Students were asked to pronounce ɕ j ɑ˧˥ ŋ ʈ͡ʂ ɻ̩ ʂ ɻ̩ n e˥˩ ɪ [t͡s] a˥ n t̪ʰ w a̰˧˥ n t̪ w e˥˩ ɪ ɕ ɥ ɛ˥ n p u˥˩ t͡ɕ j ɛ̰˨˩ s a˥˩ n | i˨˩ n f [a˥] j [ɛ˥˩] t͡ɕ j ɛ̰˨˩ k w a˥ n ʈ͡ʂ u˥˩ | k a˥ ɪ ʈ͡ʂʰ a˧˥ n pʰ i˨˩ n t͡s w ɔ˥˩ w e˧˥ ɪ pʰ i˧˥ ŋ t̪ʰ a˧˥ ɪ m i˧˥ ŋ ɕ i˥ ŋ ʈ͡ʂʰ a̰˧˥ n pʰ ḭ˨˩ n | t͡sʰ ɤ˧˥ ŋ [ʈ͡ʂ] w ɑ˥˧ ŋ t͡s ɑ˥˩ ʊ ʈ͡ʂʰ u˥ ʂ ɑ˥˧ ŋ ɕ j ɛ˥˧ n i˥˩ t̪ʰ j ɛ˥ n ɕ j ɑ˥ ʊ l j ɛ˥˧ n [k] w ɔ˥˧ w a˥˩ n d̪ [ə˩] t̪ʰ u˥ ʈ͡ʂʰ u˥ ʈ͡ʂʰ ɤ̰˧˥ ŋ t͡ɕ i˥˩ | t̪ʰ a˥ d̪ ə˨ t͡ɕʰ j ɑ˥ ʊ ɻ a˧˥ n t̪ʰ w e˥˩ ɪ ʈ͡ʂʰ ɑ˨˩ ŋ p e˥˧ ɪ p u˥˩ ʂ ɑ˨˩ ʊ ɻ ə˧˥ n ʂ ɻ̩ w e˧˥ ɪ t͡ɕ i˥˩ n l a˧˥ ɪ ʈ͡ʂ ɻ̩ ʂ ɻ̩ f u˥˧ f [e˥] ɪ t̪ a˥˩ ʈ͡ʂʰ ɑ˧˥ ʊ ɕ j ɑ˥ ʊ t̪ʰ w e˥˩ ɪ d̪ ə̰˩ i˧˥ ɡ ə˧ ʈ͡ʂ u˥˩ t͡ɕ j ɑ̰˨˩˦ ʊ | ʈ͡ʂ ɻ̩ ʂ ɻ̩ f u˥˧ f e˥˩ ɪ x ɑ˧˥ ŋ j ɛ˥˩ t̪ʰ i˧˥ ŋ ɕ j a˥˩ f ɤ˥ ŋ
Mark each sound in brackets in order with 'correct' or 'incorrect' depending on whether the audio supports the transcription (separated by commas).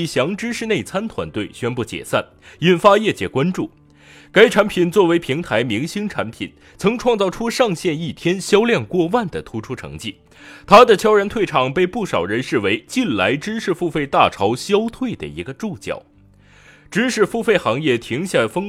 incorrect, correct, correct, incorrect, correct, correct, incorrect